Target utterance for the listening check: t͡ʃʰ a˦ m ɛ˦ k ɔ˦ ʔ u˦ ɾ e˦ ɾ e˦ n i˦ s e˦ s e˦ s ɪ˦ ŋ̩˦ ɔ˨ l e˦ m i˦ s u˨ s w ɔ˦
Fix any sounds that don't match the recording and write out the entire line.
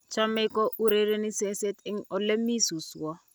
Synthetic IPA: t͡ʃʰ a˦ m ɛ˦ k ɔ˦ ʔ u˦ ɾ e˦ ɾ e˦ n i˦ s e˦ s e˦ t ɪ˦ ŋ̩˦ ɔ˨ l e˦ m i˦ s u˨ s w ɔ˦